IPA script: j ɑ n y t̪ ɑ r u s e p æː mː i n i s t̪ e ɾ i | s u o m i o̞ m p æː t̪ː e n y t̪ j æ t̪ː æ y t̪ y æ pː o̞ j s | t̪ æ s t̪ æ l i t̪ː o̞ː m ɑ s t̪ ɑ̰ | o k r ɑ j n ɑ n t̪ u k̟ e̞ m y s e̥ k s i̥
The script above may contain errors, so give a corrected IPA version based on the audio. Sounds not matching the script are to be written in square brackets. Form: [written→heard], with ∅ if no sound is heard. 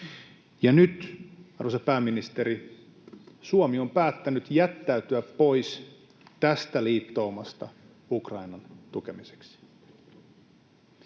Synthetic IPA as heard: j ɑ n y t̪ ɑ r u s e p æː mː i n i s t̪ e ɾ i | s u o m i o̞ m p æː t̪ː [e→æ] n y t̪ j æ t̪ː æ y t̪ y æ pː o̞ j s | t̪ æ s t̪ æ l [i→iː] t̪ː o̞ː m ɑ s t̪ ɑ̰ | [o→u] k r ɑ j n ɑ n t̪ u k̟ e̞ m [y→i] s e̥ k s i̥